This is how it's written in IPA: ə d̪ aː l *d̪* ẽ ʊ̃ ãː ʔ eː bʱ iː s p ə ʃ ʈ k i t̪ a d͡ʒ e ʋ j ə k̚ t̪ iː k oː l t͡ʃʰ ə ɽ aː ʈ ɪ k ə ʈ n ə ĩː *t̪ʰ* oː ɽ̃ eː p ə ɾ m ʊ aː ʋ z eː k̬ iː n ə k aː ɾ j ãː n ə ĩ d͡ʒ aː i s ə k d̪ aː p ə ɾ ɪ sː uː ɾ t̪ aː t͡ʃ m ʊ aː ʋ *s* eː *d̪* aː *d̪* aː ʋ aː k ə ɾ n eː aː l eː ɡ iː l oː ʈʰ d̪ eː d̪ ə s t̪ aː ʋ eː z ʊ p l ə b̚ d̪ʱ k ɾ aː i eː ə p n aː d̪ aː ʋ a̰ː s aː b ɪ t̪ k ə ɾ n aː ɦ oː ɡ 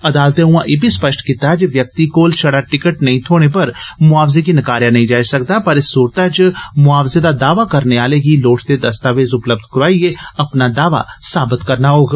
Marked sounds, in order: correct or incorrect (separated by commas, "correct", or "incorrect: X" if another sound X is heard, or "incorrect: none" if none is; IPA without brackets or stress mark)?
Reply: incorrect: t̪, correct, incorrect: z, correct, correct